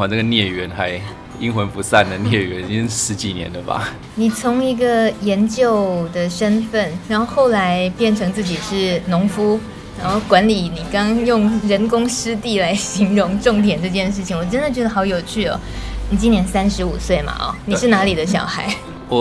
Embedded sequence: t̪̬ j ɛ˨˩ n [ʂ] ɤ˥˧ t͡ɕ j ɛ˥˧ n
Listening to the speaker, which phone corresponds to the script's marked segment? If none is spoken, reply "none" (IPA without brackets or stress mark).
ʈ͡ʂ